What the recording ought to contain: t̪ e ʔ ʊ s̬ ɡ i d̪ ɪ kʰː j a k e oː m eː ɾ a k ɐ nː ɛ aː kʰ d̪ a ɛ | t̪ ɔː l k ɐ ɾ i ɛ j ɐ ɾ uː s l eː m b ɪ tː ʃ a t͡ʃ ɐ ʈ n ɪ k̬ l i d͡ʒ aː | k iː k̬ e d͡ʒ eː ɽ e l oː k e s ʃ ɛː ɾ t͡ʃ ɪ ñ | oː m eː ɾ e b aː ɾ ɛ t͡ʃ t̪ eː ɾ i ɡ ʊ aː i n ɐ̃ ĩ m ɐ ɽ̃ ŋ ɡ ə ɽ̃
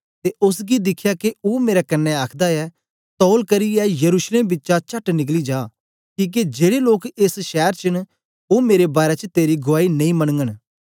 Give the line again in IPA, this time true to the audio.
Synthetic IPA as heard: t̪ e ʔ ʊ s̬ ɡ i d̪ ɪ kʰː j a k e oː m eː ɾ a k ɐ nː ɛ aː kʰ d̪ a ɛ | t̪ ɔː l k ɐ ɾ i ɛ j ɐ ɾ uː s l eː m b ɪ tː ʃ a t͡ʃ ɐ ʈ n ɪ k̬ l i d͡ʒ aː | k iː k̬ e d͡ʒ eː ɽ e l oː k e s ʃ ɛː ɾ t͡ʃ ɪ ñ | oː m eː ɾ e b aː ɾ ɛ t͡ʃ t̪ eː ɾ i ɡ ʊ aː i n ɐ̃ ĩ m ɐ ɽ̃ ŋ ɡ ə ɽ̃